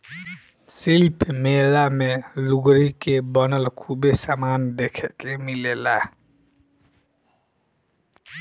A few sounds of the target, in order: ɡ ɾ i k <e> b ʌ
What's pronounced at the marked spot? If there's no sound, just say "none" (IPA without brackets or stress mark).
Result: e